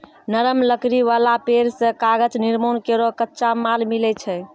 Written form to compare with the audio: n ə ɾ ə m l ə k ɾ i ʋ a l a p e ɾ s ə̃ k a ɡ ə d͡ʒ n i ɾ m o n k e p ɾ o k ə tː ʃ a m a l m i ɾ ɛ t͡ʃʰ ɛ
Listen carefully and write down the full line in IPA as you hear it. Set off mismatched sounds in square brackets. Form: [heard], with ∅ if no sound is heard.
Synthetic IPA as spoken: n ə ɾ ə m l ə k ɾ i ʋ a l a p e ɾ s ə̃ k a ɡ ə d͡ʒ n i ɾ m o n k e [∅] ɾ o k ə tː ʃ a m a l m i [l] ɛ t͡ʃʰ ɛ